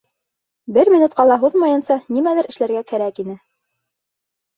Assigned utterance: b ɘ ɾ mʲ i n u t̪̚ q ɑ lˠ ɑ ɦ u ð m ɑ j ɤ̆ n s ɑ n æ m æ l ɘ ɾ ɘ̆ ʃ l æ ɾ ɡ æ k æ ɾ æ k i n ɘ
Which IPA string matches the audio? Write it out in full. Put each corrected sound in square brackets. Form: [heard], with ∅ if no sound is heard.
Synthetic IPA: b ɘ ɾ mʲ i n u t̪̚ q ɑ lˠ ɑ ɦ u ð m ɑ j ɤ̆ n s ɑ n [i] m æ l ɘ ɾ ɘ̆ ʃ l æ ɾ ɡ æ k æ ɾ æ k i n ɘ